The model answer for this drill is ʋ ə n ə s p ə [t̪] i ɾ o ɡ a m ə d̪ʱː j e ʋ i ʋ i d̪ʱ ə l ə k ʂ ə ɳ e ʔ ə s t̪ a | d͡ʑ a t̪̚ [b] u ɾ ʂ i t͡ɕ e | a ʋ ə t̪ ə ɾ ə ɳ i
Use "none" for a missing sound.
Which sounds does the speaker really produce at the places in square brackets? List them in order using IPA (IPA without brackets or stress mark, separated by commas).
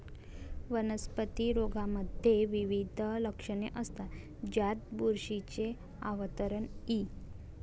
t̪, b